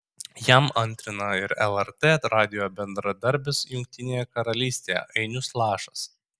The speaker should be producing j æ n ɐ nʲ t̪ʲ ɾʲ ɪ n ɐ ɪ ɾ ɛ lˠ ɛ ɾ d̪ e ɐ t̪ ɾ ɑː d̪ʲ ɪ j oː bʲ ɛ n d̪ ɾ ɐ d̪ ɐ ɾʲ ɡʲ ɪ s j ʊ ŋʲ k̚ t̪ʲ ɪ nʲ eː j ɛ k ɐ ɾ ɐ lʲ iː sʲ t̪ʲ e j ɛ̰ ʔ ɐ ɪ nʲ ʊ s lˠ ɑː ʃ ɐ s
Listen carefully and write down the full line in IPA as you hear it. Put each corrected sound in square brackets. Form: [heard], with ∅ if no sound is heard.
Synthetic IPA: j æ [m] ɐ nʲ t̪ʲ ɾʲ ɪ n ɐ ɪ ɾ ɛ lˠ ɛ ɾ [t̪] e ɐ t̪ ɾ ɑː d̪ʲ ɪ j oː bʲ ɛ n d̪ ɾ ɐ d̪ ɐ ɾʲ [bʲ] ɪ s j ʊ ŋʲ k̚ t̪ʲ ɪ nʲ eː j ɛ k ɐ ɾ ɐ lʲ iː sʲ t̪ʲ e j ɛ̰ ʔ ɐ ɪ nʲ ʊ s lˠ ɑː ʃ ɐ s

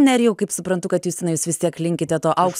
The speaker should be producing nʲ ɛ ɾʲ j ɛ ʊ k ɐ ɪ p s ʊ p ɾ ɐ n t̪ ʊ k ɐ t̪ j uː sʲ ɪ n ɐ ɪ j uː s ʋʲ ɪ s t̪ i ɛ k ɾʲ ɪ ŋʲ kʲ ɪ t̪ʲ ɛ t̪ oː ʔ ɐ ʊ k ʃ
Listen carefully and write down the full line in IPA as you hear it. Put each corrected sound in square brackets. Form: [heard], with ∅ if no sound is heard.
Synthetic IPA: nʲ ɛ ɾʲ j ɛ ʊ k ɐ ɪ p s ʊ p ɾ ɐ n t̪ ʊ k ɐ t̪ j uː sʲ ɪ n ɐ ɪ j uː s ʋʲ ɪ s t̪ i ɛ k [lʲ] ɪ ŋʲ kʲ ɪ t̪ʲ ɛ t̪ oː ʔ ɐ ʊ k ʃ

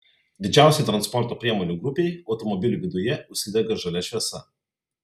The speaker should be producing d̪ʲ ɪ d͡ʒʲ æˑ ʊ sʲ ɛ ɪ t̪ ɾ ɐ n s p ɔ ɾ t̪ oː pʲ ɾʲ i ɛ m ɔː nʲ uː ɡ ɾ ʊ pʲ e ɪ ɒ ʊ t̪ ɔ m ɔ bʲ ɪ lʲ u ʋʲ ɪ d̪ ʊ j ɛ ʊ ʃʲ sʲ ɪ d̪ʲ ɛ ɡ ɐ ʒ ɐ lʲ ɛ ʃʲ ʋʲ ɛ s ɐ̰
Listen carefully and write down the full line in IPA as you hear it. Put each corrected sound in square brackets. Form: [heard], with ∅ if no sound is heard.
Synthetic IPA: d̪ʲ ɪ d͡ʒʲ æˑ ʊ sʲ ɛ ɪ t̪ ɾ ɐ n s p ɔ ɾ t̪ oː pʲ ɾʲ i ɛ m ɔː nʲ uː ɡ ɾ ʊ pʲ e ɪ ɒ ʊ t̪ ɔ m ɔ bʲ ɪ lʲ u ʋʲ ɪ d̪ ʊ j ɛ ʊ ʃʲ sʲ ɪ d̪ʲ ɛ ɡ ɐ ʒ ɐ lʲ ɛ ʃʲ ʋʲ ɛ s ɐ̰

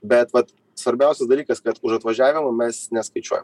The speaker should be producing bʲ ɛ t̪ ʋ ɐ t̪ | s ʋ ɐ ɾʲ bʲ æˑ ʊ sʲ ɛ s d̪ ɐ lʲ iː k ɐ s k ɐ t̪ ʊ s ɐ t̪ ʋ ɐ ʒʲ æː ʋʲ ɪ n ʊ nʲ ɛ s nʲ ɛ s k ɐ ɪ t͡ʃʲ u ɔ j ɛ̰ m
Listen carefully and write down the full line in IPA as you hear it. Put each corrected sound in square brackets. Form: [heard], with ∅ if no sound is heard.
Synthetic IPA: bʲ ɛ t̪ ʋ ɐ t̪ | s ʋ ɐ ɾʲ bʲ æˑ ʊ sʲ ɛ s d̪ ɐ lʲ iː k ɐ s k ɐ t̪ ʊ [ʃ] ɐ t̪ ʋ ɐ ʒʲ æː ʋʲ ɪ [m] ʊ [mʲ] ɛ s nʲ ɛ s k ɐ ɪ t͡ʃʲ u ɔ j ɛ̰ m

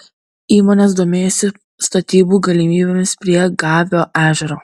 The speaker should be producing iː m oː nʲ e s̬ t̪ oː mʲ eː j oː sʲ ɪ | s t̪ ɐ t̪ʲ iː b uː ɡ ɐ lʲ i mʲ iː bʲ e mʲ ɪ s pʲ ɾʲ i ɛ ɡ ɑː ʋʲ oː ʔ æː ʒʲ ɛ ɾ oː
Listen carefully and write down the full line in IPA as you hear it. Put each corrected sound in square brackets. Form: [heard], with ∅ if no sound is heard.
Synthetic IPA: iː m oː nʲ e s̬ [d̪] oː mʲ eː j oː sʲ ɪ | s t̪ ɐ t̪ʲ iː b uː ɡ ɐ lʲ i mʲ iː bʲ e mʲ ɪ s pʲ ɾʲ i ɛ ɡ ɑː ʋʲ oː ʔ æː ʒʲ ɛ ɾ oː

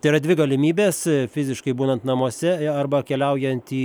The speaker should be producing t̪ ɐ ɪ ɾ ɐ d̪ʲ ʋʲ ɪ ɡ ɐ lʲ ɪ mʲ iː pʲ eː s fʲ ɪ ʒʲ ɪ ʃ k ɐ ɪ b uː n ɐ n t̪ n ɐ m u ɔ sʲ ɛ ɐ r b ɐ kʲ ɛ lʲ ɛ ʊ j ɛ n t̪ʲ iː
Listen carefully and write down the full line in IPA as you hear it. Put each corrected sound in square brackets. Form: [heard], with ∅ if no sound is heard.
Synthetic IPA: t̪ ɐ ɪ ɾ ɐ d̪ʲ ʋʲ ɪ ɡ ɐ lʲ ɪ mʲ iː [bʲ] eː s fʲ ɪ [zʲ] ɪ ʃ k ɐ ɪ b uː n ɐ n t̪ n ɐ m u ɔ sʲ ɛ ɐ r b ɐ kʲ ɛ lʲ ɛ ʊ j ɛ n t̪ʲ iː

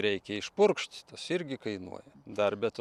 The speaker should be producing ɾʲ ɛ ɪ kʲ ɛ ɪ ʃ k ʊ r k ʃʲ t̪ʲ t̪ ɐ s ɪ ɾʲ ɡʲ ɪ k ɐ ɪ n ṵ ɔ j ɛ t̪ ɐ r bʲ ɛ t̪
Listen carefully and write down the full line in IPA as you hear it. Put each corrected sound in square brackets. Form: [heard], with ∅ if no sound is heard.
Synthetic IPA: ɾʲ ɛ ɪ kʲ ɛ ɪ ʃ [p] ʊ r k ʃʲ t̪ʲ t̪ ɐ s ɪ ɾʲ ɡʲ ɪ k ɐ ɪ n ṵ ɔ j ɛ [d̪] ɐ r bʲ ɛ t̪

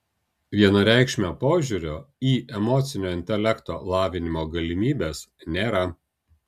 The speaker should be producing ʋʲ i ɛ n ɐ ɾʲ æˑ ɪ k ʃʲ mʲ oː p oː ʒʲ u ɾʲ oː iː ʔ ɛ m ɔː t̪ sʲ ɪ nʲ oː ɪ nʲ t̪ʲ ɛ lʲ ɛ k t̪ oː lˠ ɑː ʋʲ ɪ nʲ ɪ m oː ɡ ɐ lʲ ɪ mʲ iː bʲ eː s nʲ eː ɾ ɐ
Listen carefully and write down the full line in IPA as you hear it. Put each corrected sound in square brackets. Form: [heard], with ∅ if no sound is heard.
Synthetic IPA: ʋʲ i ɛ n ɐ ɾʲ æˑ ɪ k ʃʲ mʲ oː p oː ʒʲ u ɾʲ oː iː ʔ ɛ m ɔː t̪ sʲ ɪ nʲ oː ɪ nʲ t̪ʲ ɛ lʲ ɛ k t̪ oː lˠ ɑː ʋʲ ɪ nʲ ɪ m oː ɡ ɐ lʲ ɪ mʲ iː bʲ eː s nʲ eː ɾ ɐ

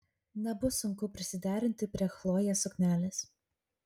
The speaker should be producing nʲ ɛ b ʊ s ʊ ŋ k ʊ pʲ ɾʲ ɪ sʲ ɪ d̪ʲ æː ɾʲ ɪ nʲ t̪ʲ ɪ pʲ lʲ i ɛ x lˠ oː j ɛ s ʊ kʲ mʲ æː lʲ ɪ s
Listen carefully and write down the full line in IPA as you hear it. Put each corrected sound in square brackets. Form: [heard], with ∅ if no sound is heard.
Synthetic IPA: nʲ ɛ b ʊ s ʊ ŋ k ʊ pʲ ɾʲ ɪ sʲ ɪ d̪ʲ æː ɾʲ ɪ nʲ t̪ʲ ɪ pʲ [ɾʲ] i ɛ x lˠ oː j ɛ s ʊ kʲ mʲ æː lʲ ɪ s

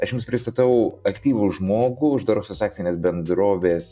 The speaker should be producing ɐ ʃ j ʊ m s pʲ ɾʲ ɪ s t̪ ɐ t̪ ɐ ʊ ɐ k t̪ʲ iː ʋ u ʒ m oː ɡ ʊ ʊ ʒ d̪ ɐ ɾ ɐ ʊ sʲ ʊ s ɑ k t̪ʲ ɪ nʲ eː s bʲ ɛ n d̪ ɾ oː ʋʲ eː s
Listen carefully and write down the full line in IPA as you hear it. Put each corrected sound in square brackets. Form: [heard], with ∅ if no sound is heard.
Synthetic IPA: ɐ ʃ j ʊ m s pʲ ɾʲ ɪ s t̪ ɐ t̪ ɐ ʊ ɐ k t̪ʲ iː ʋ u ʒ m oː ɡ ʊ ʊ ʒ d̪ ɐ ɾ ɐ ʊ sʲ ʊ s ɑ k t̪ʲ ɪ nʲ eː s bʲ ɛ n d̪ ɾ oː ʋʲ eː s

